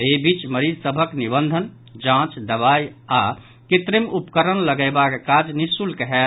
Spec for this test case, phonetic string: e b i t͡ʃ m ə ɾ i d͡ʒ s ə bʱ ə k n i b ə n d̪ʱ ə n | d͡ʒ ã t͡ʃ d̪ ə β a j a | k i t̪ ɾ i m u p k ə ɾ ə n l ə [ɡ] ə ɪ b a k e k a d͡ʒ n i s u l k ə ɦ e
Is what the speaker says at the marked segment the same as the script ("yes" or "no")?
yes